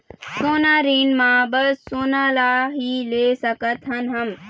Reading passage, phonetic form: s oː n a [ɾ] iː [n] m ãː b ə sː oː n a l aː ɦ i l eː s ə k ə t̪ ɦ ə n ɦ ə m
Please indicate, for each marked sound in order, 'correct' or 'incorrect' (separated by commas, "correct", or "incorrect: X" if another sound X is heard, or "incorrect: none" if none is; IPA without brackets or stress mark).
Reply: correct, correct